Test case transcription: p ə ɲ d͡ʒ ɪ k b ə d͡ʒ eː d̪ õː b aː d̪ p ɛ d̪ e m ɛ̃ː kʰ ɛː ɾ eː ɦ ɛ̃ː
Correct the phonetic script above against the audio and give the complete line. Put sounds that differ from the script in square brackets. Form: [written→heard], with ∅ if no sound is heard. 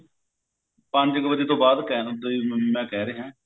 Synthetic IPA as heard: p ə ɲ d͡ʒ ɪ k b ə d͡ʒ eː [d̪→t̪] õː b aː d̪ [p→k] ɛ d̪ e m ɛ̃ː [kʰ→k] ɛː ɾ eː ɦ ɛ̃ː